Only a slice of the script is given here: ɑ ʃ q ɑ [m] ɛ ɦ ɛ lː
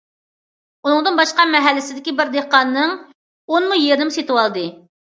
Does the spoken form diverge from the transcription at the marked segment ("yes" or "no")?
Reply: no